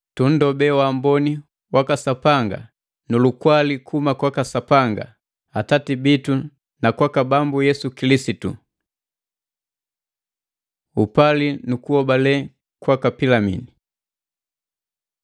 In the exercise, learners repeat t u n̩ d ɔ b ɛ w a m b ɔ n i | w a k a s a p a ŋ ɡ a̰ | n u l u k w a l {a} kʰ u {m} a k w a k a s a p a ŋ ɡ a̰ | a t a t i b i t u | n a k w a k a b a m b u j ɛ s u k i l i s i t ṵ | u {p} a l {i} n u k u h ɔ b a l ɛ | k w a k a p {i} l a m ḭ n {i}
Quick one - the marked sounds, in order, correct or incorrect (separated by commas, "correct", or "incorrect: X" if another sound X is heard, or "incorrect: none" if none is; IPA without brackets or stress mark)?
incorrect: i, correct, correct, correct, correct, correct